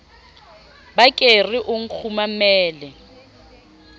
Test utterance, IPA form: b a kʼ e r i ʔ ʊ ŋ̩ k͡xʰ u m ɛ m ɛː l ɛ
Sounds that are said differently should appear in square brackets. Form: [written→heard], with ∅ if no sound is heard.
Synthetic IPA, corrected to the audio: b a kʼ e r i ʔ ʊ ŋ̩ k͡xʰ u m [ɛ→a] m ɛː l ɛ

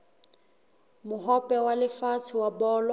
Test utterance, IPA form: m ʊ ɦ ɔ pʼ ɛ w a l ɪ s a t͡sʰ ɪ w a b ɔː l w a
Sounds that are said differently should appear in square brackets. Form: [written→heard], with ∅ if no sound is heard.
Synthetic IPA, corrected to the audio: m ʊ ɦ ɔ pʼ ɛ w a l ɪ [s→f] a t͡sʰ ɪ w a b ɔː l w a

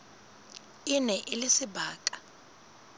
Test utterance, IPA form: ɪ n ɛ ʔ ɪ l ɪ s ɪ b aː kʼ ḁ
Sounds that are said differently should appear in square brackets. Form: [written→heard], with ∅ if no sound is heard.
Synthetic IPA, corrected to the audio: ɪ n ɛ ʔ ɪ l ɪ s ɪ b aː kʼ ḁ

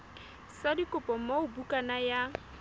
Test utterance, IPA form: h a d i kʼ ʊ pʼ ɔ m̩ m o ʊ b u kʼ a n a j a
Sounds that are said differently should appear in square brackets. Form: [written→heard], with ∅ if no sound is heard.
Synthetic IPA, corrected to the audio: [h→s] a d i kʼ ʊ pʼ ɔ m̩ m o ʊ b u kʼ a n a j a

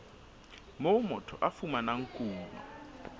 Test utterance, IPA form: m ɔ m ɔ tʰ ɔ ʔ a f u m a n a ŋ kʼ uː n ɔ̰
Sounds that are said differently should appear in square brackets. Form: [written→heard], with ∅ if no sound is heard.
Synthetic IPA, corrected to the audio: m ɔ m ɔ tʰ ɔ ʔ a f u m a n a ŋ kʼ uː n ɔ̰

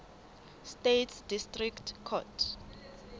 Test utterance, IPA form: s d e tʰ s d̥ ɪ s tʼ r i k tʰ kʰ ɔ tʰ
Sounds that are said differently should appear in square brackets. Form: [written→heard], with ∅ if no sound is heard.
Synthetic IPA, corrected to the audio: s [d→t] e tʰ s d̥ [ɪ→i] s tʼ r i k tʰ kʰ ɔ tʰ

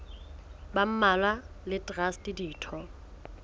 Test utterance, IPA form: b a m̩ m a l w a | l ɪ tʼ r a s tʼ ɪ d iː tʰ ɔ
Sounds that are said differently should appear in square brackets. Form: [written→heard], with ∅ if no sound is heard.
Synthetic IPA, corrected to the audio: b a m̩ m a l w a | l ɪ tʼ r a s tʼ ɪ d iː tʰ ɔ

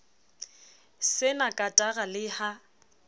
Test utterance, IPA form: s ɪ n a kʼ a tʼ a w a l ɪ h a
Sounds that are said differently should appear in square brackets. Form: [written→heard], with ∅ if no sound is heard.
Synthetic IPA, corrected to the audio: s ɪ n a kʼ a tʼ a [w→ɣ] a l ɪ h a

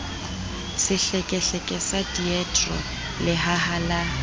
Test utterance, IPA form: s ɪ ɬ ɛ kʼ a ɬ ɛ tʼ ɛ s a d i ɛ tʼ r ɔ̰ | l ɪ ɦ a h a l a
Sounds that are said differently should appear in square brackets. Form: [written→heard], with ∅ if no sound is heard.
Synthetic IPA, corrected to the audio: s ɪ ɬ ɛ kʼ [a→ɛ] ɬ ɛ [tʼ→kʼ] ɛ s a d i ɛ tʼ r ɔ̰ | l ɪ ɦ a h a l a

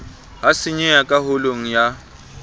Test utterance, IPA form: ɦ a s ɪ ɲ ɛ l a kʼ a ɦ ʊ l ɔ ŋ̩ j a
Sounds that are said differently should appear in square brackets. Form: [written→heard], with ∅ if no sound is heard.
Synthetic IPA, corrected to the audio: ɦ a s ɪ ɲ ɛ [l→∅] a kʼ a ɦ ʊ l [ɔ→o] ŋ̩ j a

